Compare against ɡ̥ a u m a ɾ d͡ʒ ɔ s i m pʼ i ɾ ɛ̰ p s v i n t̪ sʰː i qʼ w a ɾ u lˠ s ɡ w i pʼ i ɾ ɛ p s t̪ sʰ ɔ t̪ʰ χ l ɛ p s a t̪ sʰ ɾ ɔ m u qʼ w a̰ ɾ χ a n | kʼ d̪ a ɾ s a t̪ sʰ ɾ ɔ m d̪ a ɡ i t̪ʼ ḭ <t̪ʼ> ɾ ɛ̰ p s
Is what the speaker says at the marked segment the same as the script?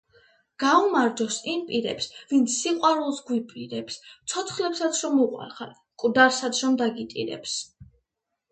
no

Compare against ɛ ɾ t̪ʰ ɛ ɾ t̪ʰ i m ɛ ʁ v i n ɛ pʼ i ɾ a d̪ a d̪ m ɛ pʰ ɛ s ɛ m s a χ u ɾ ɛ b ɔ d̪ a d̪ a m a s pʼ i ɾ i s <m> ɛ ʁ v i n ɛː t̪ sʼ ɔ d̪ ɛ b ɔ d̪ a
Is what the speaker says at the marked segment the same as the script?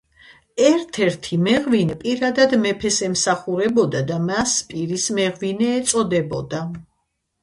yes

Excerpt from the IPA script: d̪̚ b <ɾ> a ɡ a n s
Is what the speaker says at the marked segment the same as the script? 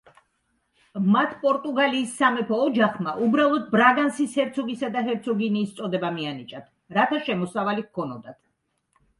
yes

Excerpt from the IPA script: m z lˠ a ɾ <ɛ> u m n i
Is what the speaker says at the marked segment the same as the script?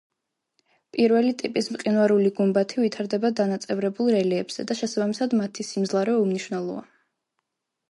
yes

